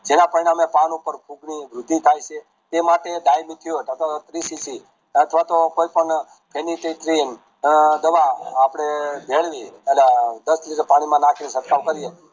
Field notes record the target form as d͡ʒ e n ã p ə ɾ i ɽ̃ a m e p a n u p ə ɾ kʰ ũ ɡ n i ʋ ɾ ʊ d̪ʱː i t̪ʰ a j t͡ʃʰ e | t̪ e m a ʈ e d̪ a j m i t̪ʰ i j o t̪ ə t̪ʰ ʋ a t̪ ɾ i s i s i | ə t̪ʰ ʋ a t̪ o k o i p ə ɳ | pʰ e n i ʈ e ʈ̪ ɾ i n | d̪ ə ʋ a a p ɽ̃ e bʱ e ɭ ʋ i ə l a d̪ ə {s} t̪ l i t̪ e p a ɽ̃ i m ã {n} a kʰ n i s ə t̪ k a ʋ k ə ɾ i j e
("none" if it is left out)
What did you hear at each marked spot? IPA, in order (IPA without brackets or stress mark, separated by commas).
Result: s, n